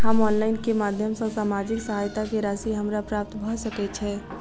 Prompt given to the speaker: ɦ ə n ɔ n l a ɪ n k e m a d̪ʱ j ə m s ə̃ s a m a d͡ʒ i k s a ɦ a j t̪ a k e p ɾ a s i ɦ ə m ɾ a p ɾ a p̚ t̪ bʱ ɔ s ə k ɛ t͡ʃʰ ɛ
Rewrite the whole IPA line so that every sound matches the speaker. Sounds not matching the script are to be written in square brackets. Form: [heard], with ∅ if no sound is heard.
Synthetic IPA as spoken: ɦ ə [m] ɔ n l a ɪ n k e m a d̪ʱ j ə m s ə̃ s a m a d͡ʒ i k s [ə] ɦ a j t̪ a k e [∅] ɾ a s i ɦ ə m ɾ a p ɾ a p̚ t̪ bʱ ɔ s ə k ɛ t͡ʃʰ ɛ